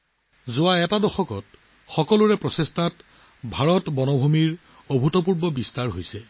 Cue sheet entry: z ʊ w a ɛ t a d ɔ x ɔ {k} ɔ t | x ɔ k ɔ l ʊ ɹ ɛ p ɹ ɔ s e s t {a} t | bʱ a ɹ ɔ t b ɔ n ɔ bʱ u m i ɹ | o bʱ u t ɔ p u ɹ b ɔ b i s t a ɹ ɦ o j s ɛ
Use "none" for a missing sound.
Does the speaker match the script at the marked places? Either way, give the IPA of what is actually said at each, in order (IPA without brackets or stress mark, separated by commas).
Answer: k, a